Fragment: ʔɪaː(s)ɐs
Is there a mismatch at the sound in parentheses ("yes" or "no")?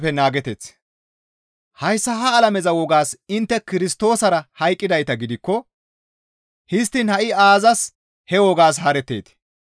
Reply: yes